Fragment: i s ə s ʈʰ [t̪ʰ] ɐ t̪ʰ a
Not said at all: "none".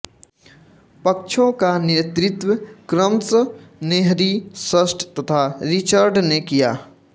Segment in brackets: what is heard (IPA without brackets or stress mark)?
t̪